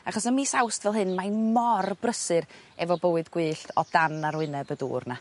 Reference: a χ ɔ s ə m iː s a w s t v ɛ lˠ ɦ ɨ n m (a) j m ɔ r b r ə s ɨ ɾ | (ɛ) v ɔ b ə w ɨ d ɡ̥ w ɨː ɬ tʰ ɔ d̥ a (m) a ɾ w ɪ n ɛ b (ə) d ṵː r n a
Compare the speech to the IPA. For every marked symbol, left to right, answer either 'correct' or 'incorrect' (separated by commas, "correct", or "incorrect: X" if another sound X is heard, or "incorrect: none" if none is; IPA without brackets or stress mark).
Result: correct, correct, incorrect: n, correct